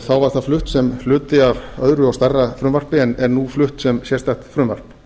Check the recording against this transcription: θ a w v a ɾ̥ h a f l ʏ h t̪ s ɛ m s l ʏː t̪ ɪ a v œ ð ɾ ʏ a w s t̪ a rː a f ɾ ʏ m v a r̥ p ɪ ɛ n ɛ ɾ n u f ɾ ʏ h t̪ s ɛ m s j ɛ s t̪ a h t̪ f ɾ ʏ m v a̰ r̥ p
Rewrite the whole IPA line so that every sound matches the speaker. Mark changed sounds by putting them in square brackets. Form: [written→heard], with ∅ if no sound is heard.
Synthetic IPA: θ a w v a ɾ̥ [h→θ] a f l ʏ h t̪ s ɛ m [s→f] l ʏː t̪ ɪ a v œ ð ɾ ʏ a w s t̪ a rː a f ɾ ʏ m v a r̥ p ɪ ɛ n ɛ ɾ n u f [ɾ→l] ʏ h t̪ s ɛ m s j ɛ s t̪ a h t̪ f ɾ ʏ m v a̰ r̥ p